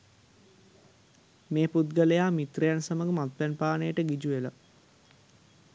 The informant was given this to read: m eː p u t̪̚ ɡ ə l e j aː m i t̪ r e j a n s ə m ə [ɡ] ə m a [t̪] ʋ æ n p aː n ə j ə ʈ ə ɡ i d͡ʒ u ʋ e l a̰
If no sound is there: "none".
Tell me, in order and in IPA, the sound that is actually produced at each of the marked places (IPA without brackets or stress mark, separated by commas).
ɡ, t̪